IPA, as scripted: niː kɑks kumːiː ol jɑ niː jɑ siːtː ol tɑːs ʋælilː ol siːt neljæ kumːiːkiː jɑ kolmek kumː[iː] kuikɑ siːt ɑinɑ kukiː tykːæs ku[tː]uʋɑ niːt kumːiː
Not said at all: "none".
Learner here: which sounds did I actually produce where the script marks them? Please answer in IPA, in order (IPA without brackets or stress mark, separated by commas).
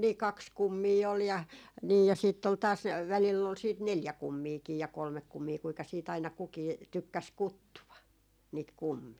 iː, tː